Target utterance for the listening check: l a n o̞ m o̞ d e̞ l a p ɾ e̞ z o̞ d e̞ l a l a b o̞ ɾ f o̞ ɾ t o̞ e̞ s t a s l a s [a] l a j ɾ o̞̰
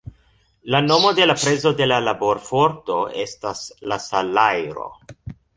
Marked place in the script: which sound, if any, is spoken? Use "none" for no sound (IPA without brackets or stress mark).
a